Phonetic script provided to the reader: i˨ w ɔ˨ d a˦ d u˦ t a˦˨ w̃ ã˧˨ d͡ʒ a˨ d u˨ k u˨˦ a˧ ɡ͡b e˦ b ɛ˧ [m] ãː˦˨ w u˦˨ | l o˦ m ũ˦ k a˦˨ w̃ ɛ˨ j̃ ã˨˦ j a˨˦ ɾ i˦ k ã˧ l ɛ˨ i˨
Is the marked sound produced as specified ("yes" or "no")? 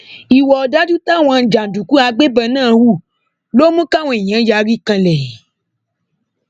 no